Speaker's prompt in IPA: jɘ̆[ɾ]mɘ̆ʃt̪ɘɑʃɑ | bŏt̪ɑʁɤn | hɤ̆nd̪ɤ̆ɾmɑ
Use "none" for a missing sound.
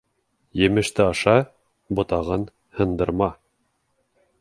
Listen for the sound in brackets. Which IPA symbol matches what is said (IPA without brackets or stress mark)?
none